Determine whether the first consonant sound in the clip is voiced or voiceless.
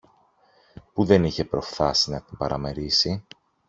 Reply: voiceless